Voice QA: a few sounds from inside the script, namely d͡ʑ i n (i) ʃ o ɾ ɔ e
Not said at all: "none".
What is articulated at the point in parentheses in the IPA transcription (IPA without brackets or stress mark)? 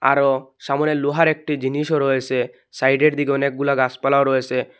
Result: i